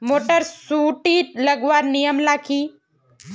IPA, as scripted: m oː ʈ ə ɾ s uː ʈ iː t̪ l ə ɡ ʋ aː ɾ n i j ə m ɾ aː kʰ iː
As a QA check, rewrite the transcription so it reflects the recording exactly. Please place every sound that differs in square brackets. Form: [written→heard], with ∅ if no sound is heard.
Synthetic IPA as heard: m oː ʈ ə ɾ s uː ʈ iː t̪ l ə ɡ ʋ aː ɾ n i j ə m [ɾ→l] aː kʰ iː

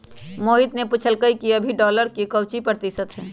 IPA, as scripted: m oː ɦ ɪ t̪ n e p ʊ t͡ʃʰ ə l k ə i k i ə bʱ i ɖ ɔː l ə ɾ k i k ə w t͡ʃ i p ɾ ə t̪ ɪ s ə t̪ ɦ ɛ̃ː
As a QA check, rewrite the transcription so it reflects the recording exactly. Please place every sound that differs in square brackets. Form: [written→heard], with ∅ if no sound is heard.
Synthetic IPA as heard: m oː ɦ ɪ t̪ n e p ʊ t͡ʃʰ ə l k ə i k i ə bʱ i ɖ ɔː l ə ɾ k i k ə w t͡ʃ i p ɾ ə t̪ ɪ s ə t̪ ɦ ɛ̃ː

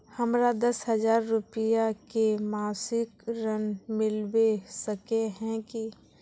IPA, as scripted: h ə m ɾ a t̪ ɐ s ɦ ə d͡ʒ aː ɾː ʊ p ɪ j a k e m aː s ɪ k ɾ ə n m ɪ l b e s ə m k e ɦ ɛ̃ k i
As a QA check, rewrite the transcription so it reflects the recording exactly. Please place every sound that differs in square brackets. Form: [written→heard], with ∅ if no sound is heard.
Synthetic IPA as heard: h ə m ɾ a [t̪→d̪] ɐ s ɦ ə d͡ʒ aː ɾː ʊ p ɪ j a k e m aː s ɪ k ɾ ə n m ɪ l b e s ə [m→∅] k e ɦ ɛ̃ k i

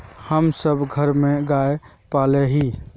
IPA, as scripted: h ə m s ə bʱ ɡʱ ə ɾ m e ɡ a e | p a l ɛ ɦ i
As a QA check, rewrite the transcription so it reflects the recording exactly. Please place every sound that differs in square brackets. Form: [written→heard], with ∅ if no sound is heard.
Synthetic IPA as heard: h ə m s ə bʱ ɡʱ ə ɾ m e ɡ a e | p a l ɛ ɦ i

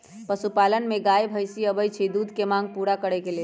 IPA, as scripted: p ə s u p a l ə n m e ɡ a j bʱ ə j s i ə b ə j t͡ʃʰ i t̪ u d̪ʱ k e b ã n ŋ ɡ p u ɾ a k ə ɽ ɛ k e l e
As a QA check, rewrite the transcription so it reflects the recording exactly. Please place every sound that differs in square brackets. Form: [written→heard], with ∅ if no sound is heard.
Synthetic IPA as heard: p ə s u p a l ə n m e ɡ a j bʱ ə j s i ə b ə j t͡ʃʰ i [t̪→d̪] u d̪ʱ k e [b→m] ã [n→∅] ŋ ɡ p u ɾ a k ə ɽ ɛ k e l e

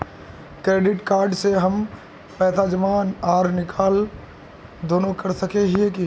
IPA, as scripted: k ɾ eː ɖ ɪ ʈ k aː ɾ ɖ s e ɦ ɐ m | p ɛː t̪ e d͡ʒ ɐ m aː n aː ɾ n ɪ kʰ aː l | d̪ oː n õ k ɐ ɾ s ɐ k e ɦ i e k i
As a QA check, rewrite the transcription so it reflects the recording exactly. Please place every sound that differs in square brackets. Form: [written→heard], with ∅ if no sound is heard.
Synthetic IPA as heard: k ɾ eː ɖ ɪ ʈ k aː ɾ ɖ s e ɦ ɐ m | p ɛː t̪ [e→a] d͡ʒ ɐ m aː n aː ɾ n ɪ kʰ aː l | d̪ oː n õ k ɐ ɾ s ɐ k e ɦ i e k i

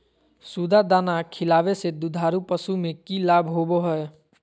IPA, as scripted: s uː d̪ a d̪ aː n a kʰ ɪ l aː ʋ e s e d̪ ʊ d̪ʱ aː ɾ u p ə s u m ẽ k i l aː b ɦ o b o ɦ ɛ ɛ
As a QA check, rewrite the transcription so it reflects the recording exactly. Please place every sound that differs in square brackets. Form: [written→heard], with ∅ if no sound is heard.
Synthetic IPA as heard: s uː d̪ a d̪ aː n a kʰ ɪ l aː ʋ e s e d̪ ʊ d̪ʱ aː ɾ u p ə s u m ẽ k i l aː b ɦ o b o ɦ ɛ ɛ

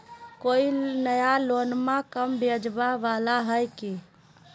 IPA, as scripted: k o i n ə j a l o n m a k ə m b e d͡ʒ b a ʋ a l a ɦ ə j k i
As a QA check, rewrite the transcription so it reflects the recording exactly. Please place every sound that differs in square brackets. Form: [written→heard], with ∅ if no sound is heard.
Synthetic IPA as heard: k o i n ə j a l o n m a k ə m b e d͡ʒ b a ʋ a l a ɦ ə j k i

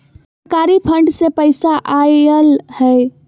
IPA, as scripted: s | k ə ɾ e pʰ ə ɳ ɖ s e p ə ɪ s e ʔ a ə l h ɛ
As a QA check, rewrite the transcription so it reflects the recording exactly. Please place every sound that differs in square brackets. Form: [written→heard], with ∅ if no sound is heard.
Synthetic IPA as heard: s | k [ə→a] ɾ [e→i] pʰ ə ɳ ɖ s e p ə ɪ s [e→a] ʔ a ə l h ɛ

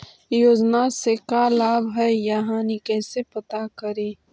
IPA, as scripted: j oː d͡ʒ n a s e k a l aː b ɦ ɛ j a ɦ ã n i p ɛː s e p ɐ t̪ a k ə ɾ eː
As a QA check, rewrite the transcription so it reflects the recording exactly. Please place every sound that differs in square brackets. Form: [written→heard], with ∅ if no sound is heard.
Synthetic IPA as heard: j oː d͡ʒ n a s e k a l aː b ɦ ɛ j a ɦ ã n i [p→k] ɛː s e p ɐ t̪ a k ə ɾ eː

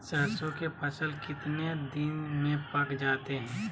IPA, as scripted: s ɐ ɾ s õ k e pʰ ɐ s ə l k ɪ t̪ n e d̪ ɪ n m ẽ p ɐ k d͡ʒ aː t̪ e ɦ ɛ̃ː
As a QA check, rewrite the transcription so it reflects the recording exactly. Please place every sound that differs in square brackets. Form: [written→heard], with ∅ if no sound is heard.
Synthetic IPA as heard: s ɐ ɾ s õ k e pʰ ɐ s ə l k ɪ t̪ n e d̪ ɪ n m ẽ p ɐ k d͡ʒ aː t̪ e ɦ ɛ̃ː

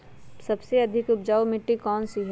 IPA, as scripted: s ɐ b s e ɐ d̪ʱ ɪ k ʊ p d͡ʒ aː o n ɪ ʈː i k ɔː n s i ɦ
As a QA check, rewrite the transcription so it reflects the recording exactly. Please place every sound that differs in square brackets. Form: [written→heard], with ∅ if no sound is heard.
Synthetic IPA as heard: s ɐ b s e ɐ d̪ʱ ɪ k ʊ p d͡ʒ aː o [n→m] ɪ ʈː i k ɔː n s i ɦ

